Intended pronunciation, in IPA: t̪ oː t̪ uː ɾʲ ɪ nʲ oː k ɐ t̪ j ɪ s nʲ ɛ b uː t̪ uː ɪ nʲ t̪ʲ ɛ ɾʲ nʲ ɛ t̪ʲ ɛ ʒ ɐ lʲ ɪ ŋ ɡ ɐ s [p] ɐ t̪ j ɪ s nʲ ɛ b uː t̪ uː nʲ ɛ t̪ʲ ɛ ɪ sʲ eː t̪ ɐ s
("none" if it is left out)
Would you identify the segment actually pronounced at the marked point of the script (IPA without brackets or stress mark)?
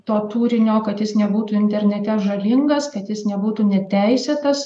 k